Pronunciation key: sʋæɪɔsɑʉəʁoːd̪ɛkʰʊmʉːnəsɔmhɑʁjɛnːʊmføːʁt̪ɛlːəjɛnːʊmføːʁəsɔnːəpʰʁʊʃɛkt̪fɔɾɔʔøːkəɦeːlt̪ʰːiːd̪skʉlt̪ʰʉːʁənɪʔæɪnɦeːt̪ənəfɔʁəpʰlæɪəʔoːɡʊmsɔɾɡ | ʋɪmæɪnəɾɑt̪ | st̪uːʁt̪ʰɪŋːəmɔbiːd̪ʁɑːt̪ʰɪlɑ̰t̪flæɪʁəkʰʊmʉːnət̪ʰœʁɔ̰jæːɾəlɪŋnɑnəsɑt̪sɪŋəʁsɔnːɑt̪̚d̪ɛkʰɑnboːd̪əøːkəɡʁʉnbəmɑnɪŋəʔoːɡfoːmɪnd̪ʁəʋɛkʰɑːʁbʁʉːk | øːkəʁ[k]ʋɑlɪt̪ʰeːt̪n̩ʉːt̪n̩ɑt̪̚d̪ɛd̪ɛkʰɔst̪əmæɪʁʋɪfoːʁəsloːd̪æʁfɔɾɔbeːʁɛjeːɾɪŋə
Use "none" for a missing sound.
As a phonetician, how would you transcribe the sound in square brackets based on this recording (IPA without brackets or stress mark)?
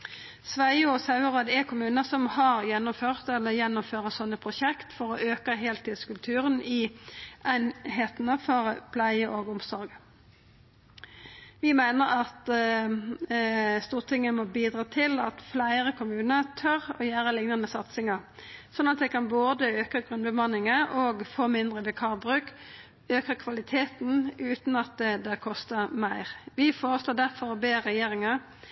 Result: kʰ